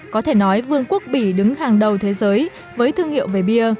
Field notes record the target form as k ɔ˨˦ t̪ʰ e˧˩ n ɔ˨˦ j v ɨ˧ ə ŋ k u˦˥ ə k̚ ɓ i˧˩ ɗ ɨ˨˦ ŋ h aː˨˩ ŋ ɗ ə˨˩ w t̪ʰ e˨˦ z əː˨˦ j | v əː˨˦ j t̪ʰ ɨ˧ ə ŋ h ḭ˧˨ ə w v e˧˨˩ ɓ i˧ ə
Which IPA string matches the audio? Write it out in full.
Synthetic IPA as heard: k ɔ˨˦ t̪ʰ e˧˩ n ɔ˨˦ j v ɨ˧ ə ŋ k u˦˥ ə k̚ ɓ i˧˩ ɗ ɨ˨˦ ŋ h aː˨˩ ŋ ɗ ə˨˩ w t̪ʰ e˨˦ z əː˨˦ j | v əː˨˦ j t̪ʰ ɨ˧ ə ŋ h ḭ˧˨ ə w v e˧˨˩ ɓ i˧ ə